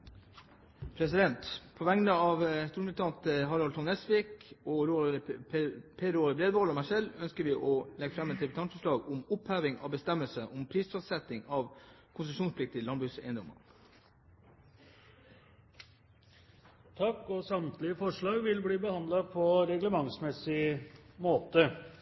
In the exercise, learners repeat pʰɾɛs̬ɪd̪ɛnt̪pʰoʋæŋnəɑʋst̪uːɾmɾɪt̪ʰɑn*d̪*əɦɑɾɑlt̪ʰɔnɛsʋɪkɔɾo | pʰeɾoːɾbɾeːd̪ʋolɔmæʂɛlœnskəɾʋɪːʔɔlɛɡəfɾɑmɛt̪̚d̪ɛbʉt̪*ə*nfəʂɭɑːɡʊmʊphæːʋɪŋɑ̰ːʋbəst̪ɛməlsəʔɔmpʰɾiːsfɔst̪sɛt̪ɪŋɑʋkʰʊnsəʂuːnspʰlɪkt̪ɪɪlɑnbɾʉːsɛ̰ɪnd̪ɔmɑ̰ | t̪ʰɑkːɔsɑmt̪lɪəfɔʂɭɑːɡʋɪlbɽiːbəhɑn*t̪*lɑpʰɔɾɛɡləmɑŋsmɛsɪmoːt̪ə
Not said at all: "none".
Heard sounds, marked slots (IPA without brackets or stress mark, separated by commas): t̪, ɑ, d̪